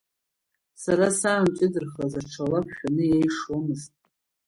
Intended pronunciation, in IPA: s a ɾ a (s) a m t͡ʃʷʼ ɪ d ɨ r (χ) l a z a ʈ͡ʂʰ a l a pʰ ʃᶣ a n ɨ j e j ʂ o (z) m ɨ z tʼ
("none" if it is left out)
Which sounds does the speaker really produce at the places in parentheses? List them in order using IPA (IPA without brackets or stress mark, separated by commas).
s, χ, none